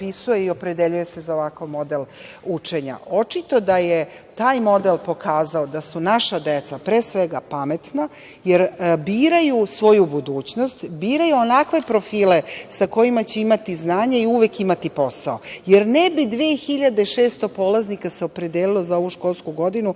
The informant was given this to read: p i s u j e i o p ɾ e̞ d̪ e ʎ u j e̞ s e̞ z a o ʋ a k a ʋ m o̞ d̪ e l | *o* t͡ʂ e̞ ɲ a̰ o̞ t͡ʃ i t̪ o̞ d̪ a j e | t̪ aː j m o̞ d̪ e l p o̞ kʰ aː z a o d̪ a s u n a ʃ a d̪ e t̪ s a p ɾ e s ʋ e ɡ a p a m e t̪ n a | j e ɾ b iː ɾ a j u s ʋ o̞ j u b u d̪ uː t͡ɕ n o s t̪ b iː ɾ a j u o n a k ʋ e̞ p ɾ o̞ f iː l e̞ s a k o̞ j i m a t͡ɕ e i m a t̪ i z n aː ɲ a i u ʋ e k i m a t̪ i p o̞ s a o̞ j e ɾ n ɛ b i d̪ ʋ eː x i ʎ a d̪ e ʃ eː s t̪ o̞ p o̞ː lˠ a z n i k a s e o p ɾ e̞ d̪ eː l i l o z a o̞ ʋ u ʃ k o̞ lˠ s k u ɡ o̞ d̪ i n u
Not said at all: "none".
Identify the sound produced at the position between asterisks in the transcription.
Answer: u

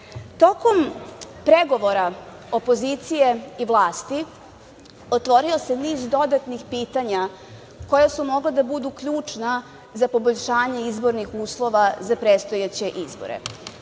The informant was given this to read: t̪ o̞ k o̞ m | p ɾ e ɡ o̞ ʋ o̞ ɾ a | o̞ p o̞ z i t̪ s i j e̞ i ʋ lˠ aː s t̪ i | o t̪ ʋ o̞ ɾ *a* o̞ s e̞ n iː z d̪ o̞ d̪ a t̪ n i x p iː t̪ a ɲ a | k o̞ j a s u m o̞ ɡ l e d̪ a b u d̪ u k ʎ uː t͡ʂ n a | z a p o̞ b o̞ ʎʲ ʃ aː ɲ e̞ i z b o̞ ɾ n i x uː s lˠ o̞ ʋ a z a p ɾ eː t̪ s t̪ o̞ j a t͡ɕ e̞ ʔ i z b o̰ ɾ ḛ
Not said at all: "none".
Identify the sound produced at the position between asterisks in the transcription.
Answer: i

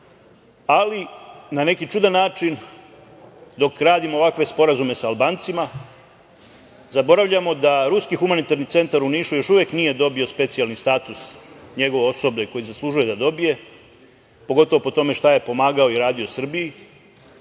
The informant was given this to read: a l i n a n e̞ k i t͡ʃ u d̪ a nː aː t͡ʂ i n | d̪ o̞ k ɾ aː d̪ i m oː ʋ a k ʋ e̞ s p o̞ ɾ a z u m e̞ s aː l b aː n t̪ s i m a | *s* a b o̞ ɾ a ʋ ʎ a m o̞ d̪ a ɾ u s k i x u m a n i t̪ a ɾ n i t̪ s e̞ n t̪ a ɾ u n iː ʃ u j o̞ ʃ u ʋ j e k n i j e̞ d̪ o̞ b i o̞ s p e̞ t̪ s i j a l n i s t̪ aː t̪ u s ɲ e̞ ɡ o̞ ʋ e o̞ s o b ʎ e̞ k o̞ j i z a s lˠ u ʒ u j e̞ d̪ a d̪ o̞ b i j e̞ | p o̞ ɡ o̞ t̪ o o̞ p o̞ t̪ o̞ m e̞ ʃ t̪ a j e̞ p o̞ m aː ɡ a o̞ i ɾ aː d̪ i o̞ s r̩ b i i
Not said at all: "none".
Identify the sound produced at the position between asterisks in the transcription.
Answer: z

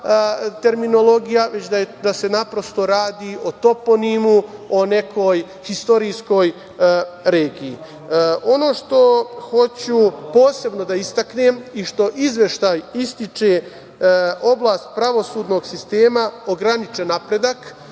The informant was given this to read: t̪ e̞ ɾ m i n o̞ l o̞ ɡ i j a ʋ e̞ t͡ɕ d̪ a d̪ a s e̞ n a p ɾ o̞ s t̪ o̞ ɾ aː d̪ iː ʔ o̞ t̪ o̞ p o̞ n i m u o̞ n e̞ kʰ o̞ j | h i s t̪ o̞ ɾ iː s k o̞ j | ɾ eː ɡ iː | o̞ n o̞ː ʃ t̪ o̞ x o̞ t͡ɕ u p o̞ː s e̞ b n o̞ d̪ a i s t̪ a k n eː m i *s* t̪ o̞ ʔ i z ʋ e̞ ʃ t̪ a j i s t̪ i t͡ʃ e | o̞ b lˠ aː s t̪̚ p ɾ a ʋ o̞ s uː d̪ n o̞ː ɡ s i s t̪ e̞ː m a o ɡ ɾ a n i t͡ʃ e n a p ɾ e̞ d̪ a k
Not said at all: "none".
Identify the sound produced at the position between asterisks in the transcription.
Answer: ʃ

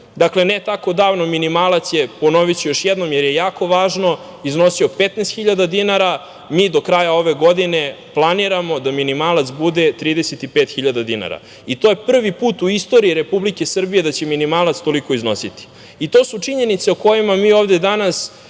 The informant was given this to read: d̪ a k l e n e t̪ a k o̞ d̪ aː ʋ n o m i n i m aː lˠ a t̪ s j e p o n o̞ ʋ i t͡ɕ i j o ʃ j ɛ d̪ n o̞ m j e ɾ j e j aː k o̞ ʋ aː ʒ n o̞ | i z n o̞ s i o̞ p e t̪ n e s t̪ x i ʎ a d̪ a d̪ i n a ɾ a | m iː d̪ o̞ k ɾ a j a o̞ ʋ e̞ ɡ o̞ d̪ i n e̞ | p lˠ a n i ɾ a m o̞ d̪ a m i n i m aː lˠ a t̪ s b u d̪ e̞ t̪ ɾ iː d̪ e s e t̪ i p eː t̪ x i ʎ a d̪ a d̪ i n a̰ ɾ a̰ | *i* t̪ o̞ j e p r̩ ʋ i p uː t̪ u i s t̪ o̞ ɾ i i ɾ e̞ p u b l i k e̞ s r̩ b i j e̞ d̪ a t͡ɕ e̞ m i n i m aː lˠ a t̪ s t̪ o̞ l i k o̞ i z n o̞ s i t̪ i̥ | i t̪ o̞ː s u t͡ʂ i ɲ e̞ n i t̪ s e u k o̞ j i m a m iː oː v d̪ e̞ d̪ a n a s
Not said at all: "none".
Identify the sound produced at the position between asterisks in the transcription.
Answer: i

